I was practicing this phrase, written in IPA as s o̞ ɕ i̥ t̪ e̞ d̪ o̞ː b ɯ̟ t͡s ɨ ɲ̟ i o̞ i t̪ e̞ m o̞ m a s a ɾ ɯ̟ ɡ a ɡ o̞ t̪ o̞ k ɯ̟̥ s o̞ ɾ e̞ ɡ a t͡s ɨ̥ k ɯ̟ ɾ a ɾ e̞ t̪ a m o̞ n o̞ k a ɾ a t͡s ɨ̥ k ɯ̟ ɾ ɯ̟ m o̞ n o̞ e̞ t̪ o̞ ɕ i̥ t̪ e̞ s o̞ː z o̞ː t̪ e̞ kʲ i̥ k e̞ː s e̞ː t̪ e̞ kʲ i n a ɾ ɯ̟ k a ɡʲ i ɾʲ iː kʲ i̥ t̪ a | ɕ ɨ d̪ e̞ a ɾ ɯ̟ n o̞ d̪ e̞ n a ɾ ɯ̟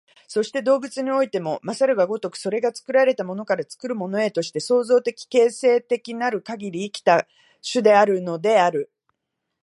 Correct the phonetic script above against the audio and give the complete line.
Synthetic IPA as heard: s o̞ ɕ i̥ t̪ e̞ d̪ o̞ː b ɯ̟ t͡s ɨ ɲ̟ i o̞ i t̪ e̞ m o̞ m a s a ɾ ɯ̟ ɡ a ɡ o̞ t̪ o̞ k ɯ̟̥ s o̞ ɾ e̞ ɡ a t͡s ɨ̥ k ɯ̟ ɾ a ɾ e̞ t̪ a m o̞ n o̞ k a ɾ a t͡s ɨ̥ k ɯ̟ ɾ ɯ̟ m o̞ n o̞ e̞ t̪ o̞ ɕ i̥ t̪ e̞ s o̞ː z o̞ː t̪ e̞ kʲ i̥ k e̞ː s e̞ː t̪ e̞ kʲ i n a ɾ ɯ̟ k a ɡʲ i ɾʲ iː kʲ i̥ t̪ a | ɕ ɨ d̪ e̞ a ɾ ɯ̟ n o̞ d̪ e̞ a ɾ ɯ̟